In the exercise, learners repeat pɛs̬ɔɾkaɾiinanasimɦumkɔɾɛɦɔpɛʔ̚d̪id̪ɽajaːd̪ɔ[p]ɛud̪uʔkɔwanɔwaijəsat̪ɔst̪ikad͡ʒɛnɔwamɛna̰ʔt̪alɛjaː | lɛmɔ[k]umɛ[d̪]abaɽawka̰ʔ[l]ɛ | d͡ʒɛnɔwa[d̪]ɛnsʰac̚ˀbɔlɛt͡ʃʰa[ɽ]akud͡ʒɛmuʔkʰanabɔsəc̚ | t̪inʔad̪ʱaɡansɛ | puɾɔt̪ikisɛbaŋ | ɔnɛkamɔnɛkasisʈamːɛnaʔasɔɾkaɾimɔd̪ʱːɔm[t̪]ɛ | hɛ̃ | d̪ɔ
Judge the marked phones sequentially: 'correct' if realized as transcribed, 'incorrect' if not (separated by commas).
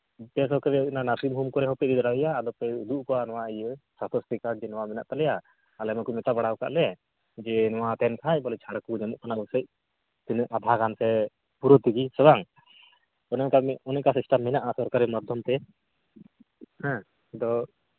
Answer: correct, correct, incorrect, correct, incorrect, correct, correct